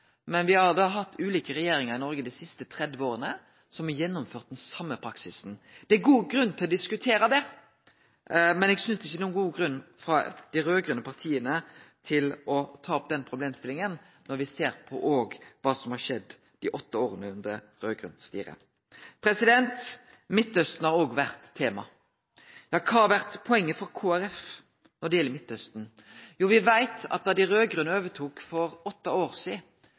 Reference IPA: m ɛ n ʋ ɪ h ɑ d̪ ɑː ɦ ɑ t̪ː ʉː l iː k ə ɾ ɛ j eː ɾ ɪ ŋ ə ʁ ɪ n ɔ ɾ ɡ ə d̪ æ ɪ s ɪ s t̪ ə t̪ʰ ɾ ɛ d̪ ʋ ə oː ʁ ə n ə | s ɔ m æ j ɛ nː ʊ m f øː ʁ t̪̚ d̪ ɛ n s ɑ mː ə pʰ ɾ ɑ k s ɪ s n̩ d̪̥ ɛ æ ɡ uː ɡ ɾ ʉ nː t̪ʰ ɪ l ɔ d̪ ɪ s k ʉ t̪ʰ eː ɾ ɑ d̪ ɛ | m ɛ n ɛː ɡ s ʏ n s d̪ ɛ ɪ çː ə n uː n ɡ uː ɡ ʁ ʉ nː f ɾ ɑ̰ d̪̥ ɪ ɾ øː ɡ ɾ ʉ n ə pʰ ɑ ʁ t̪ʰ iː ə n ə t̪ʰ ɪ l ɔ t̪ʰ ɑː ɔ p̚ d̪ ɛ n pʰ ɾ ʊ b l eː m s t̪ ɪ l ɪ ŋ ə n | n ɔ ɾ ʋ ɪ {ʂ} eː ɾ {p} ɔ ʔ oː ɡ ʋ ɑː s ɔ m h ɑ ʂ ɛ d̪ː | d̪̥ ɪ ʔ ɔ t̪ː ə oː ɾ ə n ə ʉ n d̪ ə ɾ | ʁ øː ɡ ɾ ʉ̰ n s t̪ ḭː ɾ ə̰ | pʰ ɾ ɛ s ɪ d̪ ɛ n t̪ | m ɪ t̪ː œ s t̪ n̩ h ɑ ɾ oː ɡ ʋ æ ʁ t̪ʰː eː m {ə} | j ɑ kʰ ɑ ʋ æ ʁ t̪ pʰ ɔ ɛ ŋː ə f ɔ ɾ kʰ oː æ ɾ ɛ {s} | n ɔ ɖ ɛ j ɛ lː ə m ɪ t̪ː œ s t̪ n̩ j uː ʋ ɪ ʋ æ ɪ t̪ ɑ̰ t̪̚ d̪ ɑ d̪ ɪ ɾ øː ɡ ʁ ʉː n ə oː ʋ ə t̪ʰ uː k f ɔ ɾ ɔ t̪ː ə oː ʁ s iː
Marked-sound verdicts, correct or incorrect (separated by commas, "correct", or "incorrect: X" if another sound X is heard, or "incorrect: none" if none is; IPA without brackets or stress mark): incorrect: s, incorrect: pʰ, incorrect: ɑ, incorrect: f